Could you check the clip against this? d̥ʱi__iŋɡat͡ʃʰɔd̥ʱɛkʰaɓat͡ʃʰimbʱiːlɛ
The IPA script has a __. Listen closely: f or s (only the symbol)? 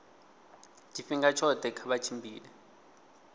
f